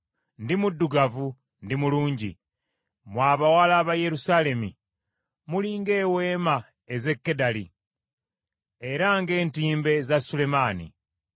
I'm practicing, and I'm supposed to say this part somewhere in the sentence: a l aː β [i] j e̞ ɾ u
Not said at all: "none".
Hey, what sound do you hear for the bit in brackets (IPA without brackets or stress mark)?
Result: a